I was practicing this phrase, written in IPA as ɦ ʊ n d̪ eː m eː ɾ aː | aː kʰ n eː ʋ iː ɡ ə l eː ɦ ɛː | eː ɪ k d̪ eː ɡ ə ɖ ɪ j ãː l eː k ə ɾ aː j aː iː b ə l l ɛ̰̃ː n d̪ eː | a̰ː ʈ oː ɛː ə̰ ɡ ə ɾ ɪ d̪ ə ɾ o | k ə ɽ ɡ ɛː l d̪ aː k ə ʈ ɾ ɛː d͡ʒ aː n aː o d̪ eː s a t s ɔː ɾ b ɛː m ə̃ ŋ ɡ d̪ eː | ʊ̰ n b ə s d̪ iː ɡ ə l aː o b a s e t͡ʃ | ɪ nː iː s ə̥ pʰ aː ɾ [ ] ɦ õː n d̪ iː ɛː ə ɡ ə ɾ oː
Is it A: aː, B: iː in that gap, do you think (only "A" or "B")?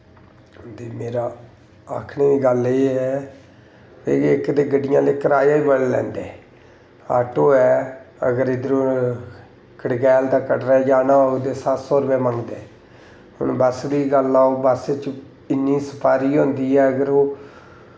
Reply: B